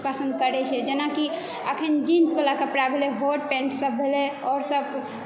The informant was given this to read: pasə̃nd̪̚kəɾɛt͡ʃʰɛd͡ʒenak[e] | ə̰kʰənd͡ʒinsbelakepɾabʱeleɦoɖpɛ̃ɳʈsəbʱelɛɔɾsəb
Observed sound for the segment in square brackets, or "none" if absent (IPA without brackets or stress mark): i